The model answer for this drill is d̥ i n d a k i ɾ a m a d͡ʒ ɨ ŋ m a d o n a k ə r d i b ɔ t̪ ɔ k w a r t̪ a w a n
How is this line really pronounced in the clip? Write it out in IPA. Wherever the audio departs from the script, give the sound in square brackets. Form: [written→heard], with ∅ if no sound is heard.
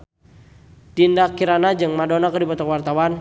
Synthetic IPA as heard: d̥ i n d a k i ɾ a [m→n] a d͡ʒ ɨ ŋ m a d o n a k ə r d i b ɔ t̪ ɔ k w a r t̪ a w a n